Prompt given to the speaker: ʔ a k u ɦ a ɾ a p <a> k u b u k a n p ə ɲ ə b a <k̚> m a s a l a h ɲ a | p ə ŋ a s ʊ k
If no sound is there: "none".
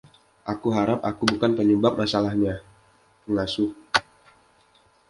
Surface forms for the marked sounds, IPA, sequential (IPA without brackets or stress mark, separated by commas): a, p̚